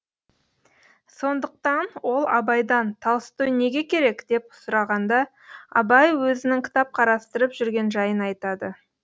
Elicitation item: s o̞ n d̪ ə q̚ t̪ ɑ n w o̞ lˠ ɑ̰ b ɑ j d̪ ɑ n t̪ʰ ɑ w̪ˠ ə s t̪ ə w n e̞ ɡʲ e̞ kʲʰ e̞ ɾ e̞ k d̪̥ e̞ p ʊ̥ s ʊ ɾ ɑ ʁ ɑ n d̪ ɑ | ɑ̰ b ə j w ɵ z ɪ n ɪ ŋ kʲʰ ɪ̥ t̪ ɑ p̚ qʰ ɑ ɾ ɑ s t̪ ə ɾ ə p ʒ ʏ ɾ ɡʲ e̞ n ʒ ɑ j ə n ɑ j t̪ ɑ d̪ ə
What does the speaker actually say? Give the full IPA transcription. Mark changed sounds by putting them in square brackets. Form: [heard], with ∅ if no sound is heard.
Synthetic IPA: s o̞ n d̪ ə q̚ t̪ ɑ n w o̞ lˠ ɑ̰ b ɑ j d̪ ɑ n t̪ʰ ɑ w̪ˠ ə s t̪ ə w n e̞ ɡʲ e̞ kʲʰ e̞ ɾ e̞ k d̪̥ e̞ p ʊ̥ s ʊ ɾ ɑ ʁ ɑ n d̪ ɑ | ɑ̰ b [ɑ] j w ɵ z ɪ n ɪ ŋ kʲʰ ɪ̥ t̪ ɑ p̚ qʰ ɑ ɾ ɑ s t̪ ə ɾ ə p ʒ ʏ ɾ ɡʲ e̞ n ʒ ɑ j ə n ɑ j t̪ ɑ d̪ ə